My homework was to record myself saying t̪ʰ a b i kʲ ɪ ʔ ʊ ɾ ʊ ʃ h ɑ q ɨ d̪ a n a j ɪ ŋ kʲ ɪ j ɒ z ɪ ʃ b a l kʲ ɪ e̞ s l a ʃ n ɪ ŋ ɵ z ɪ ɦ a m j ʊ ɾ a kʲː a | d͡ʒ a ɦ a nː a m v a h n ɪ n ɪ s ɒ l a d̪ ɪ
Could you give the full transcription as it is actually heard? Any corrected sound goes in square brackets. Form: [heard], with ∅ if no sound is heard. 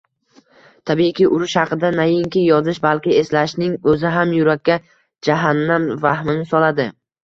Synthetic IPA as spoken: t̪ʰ a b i kʲ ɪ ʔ ʊ ɾ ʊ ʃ h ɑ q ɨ d̪ a n a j ɪ ŋ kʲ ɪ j ɒ z ɪ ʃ b a l kʲ ɪ e̞ s l a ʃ n ɪ ŋ ɵ z ɪ ɦ a m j ʊ ɾ a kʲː a | d͡ʒ a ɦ a nː a m v a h [m] ɪ n ɪ s ɒ l a d̪ ɪ

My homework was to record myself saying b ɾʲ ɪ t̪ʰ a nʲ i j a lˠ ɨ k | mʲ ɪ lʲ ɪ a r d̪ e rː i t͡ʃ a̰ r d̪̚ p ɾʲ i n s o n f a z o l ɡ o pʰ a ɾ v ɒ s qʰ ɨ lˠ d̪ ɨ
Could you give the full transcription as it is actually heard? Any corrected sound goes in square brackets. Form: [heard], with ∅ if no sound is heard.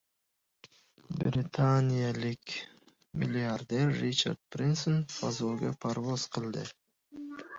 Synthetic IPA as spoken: b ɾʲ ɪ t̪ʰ a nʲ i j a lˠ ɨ k | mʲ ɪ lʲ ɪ a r d̪ e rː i t͡ʃ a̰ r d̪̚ p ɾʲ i n s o n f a z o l ɡ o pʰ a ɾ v [o] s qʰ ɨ lˠ d̪ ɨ

